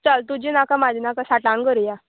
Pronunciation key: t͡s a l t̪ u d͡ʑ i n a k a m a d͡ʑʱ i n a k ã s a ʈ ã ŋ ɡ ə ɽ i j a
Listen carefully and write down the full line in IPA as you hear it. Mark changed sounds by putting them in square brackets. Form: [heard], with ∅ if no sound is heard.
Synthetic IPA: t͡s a l t̪ u d͡ʑ i n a k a m a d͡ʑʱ i n a k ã s a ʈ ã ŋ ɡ ə [ɾ] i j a